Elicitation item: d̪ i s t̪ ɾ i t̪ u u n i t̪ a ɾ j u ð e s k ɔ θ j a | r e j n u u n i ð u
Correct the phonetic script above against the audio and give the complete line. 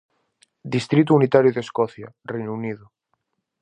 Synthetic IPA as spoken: d̪ i s t̪ ɾ i t̪ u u n i t̪ a ɾ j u ð e s k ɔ θ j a | r e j n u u n i ð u